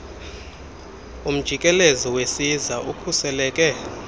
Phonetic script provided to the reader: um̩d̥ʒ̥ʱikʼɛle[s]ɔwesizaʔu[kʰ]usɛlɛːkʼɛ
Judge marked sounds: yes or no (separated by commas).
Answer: no, yes